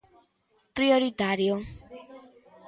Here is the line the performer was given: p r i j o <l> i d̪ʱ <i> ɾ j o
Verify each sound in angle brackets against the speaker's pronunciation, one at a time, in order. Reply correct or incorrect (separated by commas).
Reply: incorrect, incorrect